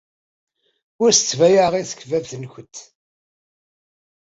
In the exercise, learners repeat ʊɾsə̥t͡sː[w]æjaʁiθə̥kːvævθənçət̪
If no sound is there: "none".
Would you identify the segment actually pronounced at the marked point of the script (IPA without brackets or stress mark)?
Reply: v